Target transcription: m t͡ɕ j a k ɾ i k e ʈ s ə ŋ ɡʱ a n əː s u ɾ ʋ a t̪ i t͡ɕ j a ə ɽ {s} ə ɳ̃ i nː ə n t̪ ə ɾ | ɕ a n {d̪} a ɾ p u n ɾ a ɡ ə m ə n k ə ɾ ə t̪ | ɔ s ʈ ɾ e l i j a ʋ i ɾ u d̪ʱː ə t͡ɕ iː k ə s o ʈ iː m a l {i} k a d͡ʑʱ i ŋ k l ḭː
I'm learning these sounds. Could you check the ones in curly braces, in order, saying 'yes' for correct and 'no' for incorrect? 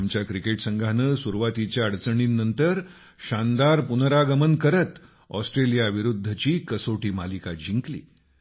no, yes, yes

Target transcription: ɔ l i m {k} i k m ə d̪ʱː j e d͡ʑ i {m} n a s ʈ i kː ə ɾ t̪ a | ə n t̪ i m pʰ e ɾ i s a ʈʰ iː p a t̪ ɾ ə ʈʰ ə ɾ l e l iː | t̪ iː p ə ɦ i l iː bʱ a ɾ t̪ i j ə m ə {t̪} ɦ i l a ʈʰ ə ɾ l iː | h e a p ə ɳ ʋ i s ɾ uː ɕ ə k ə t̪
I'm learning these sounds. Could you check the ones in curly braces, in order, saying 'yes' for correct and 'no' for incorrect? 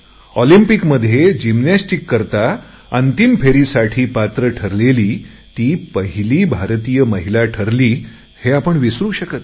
no, yes, no

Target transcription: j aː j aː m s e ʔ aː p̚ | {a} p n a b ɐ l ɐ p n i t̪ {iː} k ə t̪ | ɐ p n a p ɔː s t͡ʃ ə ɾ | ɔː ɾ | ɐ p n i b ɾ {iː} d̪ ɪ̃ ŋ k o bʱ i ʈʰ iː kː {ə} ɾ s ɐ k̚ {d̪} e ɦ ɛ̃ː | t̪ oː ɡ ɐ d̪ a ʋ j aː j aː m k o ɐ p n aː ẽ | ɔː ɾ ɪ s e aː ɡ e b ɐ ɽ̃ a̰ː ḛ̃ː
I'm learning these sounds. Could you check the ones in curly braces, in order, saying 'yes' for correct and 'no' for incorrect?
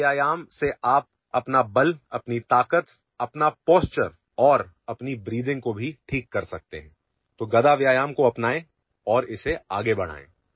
no, no, yes, no, no

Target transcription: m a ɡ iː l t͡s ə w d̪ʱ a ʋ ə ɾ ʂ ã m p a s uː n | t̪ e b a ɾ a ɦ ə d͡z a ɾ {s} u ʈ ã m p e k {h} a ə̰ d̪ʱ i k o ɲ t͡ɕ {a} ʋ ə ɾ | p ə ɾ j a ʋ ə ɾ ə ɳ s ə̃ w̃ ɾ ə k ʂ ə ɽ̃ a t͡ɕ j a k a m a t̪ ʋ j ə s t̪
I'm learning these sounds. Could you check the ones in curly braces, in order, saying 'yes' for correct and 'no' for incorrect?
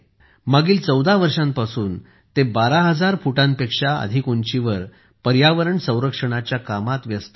no, no, no

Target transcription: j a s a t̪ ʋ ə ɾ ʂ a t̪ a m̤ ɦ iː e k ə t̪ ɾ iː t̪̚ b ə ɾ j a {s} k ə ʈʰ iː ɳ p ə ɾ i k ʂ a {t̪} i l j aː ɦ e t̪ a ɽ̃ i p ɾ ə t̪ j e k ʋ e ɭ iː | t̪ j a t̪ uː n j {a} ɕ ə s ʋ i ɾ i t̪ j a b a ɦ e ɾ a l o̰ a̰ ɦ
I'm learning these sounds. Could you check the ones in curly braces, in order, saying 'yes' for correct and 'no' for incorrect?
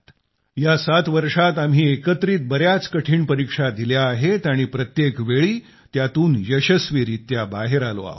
no, no, no

